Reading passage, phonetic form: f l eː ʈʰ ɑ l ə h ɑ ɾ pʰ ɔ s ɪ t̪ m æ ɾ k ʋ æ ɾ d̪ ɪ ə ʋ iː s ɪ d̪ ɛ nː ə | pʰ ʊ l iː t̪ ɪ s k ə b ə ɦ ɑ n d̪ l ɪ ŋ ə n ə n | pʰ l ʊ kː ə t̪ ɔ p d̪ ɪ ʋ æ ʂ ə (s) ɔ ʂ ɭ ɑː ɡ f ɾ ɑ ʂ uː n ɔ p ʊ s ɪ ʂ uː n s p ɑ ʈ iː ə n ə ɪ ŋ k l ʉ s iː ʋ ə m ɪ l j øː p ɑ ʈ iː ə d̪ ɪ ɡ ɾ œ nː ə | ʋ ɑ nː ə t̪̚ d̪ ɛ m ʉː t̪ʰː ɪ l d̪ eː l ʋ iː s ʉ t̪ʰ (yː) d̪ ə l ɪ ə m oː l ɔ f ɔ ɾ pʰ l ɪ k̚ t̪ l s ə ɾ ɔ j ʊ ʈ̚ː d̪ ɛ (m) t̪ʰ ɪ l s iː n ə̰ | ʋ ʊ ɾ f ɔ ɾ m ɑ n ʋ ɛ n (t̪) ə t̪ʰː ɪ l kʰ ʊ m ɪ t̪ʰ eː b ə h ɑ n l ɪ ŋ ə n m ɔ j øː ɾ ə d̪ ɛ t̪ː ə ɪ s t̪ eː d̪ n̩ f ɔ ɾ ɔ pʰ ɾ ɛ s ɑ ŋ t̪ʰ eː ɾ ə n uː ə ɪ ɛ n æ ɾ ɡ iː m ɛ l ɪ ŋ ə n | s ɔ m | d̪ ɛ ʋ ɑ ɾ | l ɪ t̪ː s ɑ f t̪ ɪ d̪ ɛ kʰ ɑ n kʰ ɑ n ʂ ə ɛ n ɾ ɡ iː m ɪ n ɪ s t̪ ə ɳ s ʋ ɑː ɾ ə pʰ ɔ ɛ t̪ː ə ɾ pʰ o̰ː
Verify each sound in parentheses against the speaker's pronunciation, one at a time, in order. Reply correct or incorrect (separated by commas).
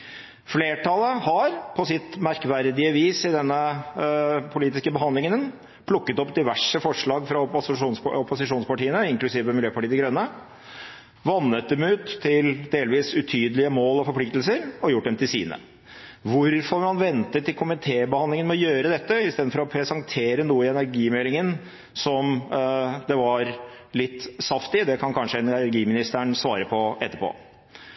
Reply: incorrect, correct, correct, correct